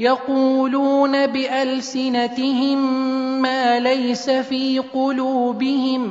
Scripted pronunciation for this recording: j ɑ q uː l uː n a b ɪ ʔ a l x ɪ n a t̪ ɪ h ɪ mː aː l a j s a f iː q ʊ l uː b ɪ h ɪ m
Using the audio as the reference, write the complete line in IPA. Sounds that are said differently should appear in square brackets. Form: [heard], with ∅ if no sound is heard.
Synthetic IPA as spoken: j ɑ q uː l uː n a b ɪ ʔ a l [s] ɪ n a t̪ ɪ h ɪ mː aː l a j s a f iː q ʊ l uː b ɪ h ɪ m